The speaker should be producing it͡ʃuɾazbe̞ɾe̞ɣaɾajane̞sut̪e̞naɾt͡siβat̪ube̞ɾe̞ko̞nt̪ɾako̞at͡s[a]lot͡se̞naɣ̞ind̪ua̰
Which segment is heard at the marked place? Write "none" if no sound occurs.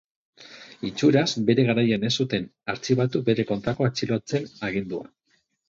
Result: i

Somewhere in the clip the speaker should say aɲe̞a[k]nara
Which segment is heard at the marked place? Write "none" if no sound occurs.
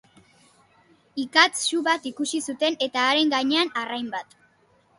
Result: none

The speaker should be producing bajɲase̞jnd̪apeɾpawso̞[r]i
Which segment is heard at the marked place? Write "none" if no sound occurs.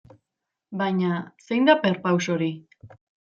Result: ɾ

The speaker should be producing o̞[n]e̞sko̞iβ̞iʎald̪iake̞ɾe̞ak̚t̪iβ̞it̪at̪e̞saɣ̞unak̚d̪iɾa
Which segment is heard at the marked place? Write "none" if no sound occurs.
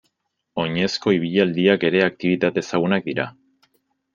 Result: ɲ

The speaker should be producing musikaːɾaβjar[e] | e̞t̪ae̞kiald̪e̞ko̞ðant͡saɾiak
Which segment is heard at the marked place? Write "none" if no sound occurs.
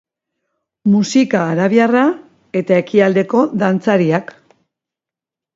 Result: a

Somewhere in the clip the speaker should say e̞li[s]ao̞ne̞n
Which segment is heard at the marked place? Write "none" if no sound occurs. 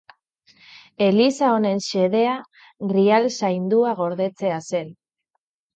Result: s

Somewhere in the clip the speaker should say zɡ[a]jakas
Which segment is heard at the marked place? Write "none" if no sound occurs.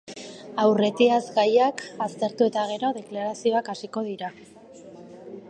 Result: a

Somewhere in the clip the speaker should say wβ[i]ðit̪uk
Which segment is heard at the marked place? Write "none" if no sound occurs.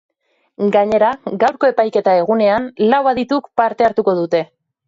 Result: a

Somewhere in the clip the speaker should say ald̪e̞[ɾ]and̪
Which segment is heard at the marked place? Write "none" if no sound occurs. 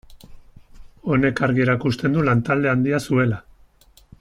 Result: none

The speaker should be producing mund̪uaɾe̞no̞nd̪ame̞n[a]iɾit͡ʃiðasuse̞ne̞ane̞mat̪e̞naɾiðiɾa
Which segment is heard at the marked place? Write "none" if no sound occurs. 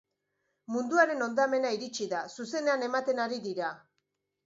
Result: a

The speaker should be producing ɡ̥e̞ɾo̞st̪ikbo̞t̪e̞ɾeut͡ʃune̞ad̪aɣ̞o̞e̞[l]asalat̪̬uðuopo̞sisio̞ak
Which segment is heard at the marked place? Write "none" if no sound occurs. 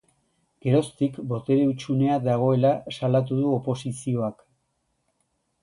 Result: l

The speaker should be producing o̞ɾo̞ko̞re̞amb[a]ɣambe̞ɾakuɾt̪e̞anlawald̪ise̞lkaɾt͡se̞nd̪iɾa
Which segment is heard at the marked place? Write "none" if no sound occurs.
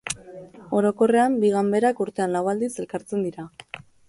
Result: i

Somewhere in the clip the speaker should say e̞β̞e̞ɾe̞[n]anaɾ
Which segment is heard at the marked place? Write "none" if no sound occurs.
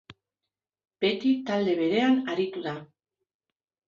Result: none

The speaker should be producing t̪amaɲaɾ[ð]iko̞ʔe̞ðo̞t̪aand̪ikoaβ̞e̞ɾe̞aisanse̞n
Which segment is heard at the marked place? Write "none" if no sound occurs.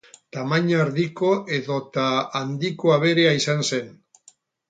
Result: ð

